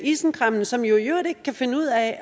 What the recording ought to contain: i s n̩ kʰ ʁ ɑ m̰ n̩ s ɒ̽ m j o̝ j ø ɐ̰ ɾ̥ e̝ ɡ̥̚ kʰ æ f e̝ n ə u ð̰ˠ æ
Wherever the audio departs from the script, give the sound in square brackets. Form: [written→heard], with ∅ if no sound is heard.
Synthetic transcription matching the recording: i s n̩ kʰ ʁ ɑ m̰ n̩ s ɒ̽ m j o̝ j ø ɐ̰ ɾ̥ e̝ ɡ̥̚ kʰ æ f e̝ n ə u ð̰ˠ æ